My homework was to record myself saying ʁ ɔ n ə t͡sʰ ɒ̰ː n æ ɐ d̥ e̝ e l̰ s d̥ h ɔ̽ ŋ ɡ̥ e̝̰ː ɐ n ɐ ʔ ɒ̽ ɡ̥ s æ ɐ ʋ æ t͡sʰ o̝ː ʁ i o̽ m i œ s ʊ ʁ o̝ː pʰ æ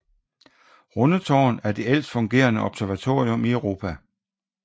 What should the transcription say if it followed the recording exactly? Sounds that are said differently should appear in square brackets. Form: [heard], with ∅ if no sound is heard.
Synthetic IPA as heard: ʁ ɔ n ə t͡sʰ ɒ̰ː n æ ɐ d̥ e̝ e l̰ s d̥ [f] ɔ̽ ŋ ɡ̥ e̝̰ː ɐ n [ə] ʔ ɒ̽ [b̥] s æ ɐ ʋ æ t͡sʰ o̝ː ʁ i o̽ m i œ [∅] ʊ ʁ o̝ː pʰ æ